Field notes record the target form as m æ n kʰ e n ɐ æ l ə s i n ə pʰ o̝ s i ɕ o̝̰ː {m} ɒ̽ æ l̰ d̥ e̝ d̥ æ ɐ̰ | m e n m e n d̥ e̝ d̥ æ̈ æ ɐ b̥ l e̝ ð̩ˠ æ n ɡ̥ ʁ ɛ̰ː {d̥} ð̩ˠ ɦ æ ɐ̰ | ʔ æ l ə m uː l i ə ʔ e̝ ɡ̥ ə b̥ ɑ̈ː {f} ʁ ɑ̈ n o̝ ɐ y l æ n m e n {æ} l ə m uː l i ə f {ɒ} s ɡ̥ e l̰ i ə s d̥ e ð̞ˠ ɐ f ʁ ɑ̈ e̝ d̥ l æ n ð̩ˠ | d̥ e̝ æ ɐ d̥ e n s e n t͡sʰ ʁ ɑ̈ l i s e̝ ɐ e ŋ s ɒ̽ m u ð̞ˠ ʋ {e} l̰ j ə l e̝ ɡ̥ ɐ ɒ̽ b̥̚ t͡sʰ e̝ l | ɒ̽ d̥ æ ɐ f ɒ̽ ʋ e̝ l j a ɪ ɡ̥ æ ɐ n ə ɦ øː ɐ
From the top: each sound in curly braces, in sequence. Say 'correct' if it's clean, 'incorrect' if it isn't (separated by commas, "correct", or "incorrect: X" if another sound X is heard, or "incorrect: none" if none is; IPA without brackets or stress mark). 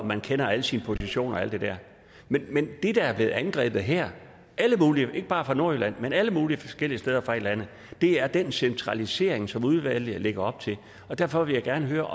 incorrect: n, incorrect: b̥, correct, correct, correct, incorrect: æ